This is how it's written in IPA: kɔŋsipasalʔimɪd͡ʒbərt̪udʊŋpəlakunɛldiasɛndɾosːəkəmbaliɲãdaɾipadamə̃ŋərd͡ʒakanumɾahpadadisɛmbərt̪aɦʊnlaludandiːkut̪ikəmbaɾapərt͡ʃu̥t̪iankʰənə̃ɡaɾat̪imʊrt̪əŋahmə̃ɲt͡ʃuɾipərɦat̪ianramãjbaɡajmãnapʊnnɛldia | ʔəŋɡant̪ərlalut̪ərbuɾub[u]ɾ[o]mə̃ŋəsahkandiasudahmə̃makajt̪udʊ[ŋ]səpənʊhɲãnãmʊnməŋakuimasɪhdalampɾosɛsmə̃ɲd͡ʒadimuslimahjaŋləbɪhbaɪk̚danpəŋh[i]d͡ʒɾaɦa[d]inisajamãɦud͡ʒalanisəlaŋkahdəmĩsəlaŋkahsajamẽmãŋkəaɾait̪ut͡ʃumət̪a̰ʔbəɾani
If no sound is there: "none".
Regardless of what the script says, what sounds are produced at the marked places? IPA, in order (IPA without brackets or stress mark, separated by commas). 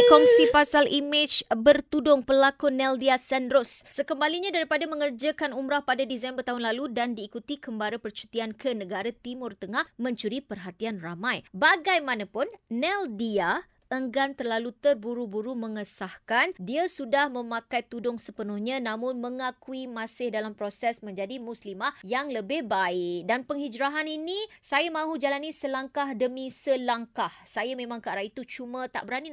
u, u, ŋ, i, n